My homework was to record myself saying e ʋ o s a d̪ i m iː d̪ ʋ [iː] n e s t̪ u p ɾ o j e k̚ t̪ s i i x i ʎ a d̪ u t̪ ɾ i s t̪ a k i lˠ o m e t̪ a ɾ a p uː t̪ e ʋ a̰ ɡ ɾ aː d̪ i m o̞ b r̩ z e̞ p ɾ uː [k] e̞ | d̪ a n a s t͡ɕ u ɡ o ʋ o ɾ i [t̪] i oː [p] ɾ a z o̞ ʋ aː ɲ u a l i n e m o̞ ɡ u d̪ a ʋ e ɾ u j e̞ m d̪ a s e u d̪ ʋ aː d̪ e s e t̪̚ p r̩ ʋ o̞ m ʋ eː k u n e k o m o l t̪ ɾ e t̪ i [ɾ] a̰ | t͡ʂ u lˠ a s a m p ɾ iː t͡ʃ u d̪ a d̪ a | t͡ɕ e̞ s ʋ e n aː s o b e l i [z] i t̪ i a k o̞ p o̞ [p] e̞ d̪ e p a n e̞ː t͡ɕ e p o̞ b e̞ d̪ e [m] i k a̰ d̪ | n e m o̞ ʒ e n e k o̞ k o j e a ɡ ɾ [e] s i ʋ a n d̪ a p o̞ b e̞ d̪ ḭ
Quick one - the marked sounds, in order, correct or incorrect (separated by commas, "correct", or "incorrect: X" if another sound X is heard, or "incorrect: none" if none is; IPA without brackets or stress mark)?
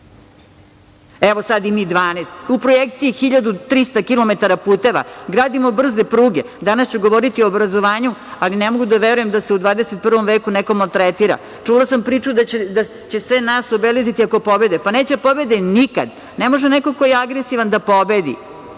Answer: incorrect: aː, incorrect: ɡ, correct, incorrect: b, correct, correct, incorrect: b, incorrect: n, correct